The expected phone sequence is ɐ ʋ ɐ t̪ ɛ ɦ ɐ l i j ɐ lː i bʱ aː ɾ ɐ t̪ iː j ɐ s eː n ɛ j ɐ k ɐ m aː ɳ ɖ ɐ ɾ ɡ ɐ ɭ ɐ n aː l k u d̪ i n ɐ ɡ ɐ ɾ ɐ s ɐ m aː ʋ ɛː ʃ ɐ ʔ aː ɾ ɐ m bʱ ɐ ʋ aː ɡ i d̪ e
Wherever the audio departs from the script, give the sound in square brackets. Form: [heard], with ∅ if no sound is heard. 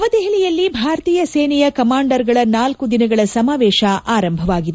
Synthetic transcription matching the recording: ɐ ʋ ɐ [d̪] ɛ ɦ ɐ l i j ɐ lː i bʱ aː ɾ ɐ t̪ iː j ɐ s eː n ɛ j ɐ k ɐ m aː ɳ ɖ ɐ ɾ ɡ ɐ ɭ ɐ n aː l k u d̪ i n ɐ ɡ ɐ [ɭ] ɐ s ɐ m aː ʋ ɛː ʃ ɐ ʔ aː ɾ ɐ m bʱ ɐ ʋ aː ɡ i d̪ e